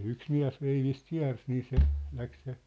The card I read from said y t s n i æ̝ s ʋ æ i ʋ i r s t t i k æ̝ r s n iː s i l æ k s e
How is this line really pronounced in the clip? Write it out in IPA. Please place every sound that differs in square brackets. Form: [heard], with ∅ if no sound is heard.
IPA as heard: y [k] s [m] i æ̝ s ʋ [e] i ʋ i [∅] s t [k] i [∅] æ̝ r s n iː s [e] l æ k s e